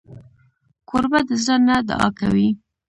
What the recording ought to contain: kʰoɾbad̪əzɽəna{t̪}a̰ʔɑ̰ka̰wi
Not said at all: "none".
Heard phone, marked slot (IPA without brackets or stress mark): d̪